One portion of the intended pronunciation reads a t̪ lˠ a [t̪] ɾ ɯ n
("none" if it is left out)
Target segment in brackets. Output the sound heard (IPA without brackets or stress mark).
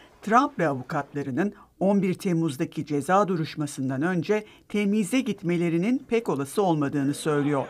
none